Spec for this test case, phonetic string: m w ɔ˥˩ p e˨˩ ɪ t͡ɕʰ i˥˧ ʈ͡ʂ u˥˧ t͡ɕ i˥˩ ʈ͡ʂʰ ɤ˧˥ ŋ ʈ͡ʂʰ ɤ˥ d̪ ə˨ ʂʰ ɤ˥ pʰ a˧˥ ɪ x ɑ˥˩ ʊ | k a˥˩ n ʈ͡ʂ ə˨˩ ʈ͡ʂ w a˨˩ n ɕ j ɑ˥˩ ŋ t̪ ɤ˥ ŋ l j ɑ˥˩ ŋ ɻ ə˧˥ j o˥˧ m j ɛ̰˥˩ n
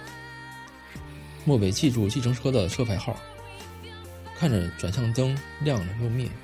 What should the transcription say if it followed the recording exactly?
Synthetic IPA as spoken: m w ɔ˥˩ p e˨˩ ɪ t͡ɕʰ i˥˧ ʈ͡ʂ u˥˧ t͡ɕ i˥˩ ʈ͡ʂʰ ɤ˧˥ ŋ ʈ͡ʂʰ ɤ˥ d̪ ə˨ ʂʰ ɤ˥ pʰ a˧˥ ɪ x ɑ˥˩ ʊ | kʰ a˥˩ n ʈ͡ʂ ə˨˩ ʈ͡ʂ w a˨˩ n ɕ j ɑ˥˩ ŋ t̪ ɤ˥ ŋ l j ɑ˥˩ ŋ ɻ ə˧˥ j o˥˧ m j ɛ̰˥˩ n